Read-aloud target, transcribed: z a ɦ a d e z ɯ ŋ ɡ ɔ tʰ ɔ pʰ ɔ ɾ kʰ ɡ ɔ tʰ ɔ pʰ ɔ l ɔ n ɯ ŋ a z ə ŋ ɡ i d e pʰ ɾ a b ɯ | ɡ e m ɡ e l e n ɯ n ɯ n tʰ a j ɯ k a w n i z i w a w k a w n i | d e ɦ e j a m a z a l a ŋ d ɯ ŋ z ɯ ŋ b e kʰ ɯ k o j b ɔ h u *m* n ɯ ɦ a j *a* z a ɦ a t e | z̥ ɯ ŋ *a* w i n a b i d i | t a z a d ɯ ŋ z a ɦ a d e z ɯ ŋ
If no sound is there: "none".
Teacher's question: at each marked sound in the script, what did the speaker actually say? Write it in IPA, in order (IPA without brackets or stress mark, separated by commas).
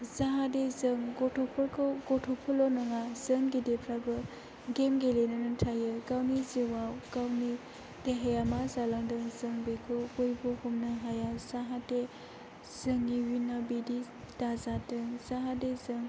m, a, i